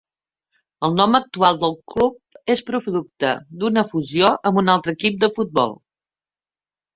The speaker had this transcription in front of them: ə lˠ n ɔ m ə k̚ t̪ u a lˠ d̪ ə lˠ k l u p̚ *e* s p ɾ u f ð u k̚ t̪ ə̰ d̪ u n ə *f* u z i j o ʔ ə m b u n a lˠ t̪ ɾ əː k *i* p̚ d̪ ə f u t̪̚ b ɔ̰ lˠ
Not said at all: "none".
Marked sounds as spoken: e, f, i

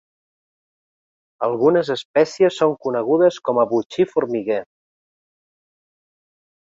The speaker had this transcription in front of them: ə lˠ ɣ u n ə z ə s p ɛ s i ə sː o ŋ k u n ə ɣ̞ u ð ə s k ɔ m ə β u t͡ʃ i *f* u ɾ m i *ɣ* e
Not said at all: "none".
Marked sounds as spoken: f, ɣ

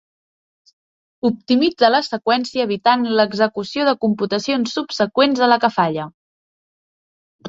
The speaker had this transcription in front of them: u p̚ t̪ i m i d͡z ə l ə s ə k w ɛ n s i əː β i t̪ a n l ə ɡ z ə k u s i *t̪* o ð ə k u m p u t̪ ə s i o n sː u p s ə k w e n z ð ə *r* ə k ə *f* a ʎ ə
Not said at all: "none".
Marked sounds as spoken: none, l, f

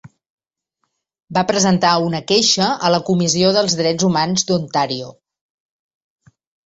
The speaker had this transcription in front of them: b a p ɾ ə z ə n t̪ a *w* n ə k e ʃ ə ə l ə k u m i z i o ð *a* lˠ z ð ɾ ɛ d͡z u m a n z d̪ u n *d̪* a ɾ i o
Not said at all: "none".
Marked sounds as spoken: u, ə, t̪

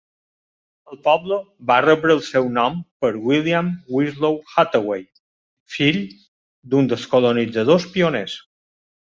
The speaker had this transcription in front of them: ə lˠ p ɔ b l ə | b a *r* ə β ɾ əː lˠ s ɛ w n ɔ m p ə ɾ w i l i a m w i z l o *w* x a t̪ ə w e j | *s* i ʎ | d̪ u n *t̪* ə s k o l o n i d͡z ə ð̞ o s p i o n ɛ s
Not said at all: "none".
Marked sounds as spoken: r, w, f, d̪

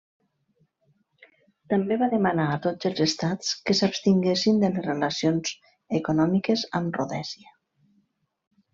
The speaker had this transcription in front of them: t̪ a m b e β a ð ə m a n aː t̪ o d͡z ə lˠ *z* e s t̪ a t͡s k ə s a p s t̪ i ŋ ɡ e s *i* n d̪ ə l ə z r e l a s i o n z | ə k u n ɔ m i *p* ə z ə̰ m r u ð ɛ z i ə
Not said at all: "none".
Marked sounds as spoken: z, i, k

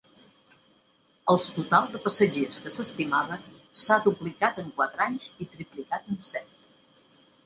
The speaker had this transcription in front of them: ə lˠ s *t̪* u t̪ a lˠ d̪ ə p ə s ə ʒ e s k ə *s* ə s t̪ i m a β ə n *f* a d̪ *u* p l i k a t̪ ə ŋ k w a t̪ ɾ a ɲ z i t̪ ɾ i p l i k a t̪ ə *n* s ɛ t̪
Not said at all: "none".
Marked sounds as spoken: t̪, s, s, u, n

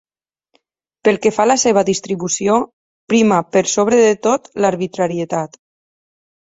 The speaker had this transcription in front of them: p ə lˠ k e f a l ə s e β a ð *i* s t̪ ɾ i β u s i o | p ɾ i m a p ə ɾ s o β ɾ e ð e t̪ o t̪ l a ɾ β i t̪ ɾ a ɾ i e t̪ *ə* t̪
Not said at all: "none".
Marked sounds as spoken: i, a

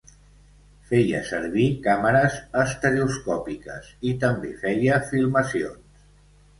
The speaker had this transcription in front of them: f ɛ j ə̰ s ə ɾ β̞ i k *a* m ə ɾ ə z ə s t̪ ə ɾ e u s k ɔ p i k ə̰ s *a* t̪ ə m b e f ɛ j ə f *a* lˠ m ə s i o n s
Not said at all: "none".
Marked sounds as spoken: a, i, i

